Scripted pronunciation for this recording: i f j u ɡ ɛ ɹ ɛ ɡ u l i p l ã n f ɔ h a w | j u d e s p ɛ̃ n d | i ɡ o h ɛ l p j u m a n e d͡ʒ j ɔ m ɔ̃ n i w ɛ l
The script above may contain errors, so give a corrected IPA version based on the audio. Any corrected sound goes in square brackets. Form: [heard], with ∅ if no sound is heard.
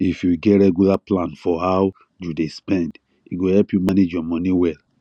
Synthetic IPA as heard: i f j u ɡ ɛ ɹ ɛ ɡ u l [a] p l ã n f ɔ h a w | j u d e s p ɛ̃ n d | i ɡ o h ɛ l p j u m a n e d͡ʒ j ɔ m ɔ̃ n i w ɛ l